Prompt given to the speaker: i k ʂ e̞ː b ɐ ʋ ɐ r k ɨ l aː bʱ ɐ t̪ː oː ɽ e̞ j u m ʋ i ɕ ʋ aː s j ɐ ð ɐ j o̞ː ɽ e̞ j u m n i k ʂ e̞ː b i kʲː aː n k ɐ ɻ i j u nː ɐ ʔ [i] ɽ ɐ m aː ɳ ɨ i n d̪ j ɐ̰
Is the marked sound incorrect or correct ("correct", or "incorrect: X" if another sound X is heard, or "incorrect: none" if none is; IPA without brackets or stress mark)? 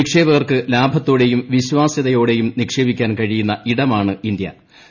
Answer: correct